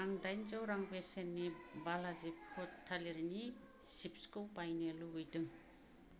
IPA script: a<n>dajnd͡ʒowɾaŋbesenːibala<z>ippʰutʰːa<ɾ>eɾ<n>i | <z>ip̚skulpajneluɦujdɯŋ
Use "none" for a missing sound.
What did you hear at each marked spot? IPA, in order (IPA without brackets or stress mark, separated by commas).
ŋ, z, l, n, s